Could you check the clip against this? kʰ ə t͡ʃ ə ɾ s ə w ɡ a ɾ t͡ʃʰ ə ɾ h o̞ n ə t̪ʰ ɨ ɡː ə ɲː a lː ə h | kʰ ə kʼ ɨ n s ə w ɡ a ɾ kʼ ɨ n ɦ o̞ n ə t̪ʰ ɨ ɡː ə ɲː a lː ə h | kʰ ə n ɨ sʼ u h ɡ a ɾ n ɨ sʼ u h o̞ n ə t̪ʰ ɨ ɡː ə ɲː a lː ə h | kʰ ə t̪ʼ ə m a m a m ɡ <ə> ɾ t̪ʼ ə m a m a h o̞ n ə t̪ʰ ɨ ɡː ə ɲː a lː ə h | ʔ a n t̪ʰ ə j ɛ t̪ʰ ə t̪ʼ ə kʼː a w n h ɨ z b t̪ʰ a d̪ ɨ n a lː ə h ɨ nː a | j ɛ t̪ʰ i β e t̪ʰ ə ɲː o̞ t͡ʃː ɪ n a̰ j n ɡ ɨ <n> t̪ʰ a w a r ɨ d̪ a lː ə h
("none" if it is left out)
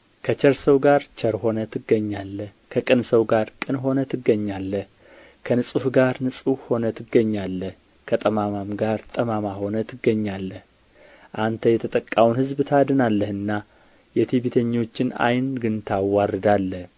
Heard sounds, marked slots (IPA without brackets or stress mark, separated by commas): a, n